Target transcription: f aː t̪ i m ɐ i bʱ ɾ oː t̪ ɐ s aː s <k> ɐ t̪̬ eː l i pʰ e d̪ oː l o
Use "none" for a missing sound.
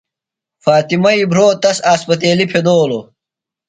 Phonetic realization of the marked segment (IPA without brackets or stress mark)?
p